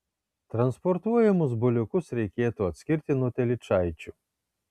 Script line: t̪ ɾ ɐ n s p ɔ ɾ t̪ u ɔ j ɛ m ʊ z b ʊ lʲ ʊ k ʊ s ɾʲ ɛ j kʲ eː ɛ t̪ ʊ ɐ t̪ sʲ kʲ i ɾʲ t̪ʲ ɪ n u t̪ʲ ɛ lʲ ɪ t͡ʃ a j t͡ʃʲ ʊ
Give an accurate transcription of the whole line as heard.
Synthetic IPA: t̪ ɾ ɐ n s p ɔ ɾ t̪ u ɔ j ɛ m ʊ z b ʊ lʲ ʊ k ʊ s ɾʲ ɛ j kʲ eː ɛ t̪ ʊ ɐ t̪ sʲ kʲ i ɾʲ t̪ʲ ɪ n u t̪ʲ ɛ lʲ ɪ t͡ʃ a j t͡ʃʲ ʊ